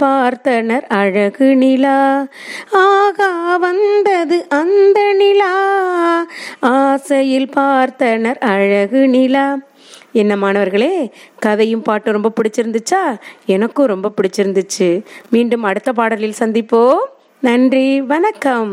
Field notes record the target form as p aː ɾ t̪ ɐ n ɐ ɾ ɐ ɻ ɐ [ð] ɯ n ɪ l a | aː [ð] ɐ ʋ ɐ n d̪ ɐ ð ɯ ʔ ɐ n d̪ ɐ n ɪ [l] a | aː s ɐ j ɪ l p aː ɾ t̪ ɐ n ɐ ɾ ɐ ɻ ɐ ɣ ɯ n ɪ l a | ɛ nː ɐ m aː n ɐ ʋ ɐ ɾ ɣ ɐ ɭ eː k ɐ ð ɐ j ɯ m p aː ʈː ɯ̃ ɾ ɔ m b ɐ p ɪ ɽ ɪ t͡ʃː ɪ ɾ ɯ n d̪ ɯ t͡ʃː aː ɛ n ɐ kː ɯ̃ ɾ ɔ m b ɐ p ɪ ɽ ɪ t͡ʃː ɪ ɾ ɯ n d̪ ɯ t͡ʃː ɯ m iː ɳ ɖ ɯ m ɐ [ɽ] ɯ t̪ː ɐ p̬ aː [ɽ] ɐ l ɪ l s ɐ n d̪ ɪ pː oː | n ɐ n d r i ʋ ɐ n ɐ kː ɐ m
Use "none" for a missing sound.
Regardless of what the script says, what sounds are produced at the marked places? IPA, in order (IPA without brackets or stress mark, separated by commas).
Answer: ɣ, ɣ, l, ɽ, ɽ